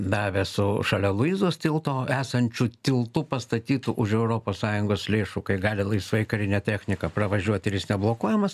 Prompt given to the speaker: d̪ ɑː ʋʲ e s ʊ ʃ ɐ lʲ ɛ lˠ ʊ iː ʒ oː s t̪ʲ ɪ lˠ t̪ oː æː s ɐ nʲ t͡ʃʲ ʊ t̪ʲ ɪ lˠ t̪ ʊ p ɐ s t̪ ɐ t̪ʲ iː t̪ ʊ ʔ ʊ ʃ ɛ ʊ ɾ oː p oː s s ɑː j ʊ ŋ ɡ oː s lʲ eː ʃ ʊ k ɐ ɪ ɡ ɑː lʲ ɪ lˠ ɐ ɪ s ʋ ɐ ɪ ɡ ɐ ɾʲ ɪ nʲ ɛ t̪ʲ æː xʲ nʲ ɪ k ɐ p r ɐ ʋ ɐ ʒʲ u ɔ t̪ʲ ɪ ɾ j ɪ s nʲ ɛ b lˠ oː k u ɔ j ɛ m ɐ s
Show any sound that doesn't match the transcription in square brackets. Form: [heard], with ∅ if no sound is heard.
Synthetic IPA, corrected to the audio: d̪ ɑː ʋʲ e s ʊ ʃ ɐ lʲ ɛ lˠ ʊ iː [z] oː s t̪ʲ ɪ lˠ t̪ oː æː s ɐ nʲ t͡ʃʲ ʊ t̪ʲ ɪ lˠ t̪ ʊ p ɐ s t̪ ɐ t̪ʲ iː t̪ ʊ ʔ ʊ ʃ ɛ ʊ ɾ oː p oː s s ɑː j ʊ ŋ ɡ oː s lʲ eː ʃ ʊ k ɐ ɪ ɡ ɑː lʲ ɪ lˠ ɐ ɪ s ʋ ɐ ɪ [k] ɐ ɾʲ ɪ nʲ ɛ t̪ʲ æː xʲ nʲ ɪ k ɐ p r ɐ ʋ ɐ ʒʲ u ɔ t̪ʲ ɪ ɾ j ɪ s nʲ ɛ b lˠ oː k u ɔ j ɛ m ɐ s